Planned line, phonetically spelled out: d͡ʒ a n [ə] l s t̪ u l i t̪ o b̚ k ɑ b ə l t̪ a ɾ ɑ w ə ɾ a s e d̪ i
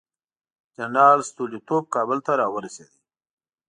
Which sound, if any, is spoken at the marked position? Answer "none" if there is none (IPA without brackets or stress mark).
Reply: ɑ